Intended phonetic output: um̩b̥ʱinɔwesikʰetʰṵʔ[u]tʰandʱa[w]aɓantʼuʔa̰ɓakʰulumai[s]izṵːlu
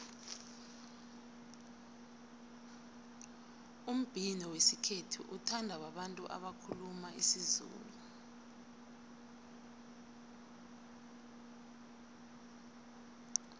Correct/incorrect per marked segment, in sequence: correct, correct, correct

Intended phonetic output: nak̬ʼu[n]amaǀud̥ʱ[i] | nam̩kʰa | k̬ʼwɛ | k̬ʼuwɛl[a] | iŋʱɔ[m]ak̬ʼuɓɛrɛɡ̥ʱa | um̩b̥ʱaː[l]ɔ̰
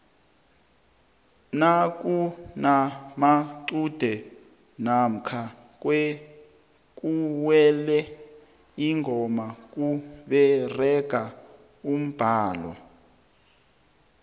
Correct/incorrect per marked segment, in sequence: correct, incorrect, incorrect, correct, correct

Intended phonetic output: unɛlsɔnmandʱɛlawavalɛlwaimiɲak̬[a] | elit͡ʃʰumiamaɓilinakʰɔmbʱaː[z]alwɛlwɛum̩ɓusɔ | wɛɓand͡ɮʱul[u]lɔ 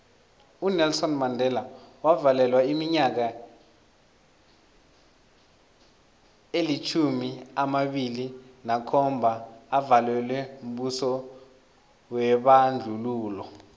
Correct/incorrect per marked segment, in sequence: correct, incorrect, incorrect

